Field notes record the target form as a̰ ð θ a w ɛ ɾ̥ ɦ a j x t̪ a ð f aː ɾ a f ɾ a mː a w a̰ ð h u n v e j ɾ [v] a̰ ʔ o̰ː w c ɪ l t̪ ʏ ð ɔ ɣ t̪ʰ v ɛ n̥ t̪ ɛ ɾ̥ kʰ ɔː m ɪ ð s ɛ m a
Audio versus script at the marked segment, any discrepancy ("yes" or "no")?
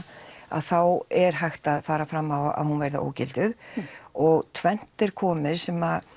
yes